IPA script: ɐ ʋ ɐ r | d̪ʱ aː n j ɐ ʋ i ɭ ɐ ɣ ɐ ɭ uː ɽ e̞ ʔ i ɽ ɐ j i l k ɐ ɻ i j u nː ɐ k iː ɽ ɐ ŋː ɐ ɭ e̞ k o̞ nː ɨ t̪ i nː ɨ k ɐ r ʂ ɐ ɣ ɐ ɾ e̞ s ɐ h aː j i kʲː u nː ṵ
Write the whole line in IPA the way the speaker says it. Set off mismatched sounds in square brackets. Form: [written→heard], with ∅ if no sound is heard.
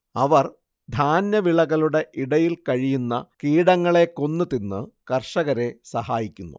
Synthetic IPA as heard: ɐ ʋ ɐ r | d̪ʱ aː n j ɐ ʋ i ɭ ɐ ɣ ɐ ɭ [uː→u] ɽ e̞ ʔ i ɽ ɐ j i l k ɐ ɻ i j u nː ɐ k iː ɽ ɐ ŋː ɐ ɭ e̞ k o̞ nː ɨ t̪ i nː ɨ k ɐ r ʂ ɐ ɣ ɐ ɾ e̞ s ɐ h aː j i kʲː u nː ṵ